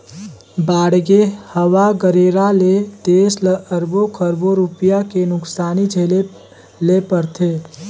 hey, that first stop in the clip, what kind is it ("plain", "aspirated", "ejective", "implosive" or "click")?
plain